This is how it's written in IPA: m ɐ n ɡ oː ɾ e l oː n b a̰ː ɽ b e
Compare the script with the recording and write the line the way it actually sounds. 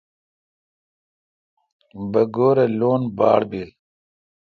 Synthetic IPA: b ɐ ɡ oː ɾ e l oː n b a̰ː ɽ b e